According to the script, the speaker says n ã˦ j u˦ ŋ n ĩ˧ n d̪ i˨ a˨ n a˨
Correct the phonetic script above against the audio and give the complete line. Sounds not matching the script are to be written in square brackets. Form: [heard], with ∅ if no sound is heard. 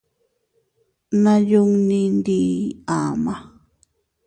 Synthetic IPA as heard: n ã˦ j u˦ ŋ n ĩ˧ n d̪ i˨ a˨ [m] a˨